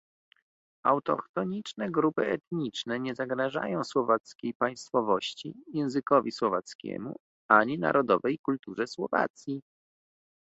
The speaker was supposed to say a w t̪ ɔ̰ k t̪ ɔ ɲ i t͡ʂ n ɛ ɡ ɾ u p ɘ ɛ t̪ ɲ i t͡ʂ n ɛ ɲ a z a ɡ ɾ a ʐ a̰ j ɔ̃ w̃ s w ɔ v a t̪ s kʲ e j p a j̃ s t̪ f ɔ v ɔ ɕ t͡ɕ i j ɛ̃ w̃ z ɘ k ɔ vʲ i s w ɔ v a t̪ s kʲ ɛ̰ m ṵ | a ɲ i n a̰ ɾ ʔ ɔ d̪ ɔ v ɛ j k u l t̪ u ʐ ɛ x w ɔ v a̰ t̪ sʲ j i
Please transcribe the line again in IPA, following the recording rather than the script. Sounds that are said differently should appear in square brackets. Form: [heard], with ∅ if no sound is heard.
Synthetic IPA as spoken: a w t̪ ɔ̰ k t̪ ɔ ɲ i t͡ʂ n ɛ ɡ ɾ u p ɘ ɛ t̪ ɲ i t͡ʂ n ɛ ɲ [ɛ] z a ɡ ɾ a ʐ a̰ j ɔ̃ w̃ s w ɔ v a t̪ s kʲ e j p a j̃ s t̪ f ɔ v ɔ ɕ t͡ɕ i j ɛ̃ w̃ z ɘ k ɔ vʲ i s w ɔ v a t̪ s kʲ ɛ̰ m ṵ | a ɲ i n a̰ ɾ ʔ ɔ d̪ ɔ v ɛ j k u l t̪ u ʐ ɛ [s] w ɔ v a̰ t̪ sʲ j i